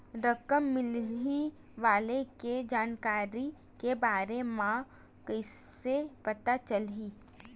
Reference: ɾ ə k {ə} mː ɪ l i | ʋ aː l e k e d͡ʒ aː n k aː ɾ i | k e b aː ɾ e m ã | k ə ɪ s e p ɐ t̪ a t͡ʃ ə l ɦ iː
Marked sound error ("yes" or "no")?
no